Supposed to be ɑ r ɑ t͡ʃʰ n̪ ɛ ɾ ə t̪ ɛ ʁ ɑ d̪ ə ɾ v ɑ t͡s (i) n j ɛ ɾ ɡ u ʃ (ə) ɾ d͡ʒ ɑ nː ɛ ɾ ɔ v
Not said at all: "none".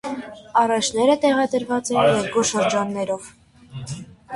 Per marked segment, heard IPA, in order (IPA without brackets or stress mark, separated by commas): ɛ, ə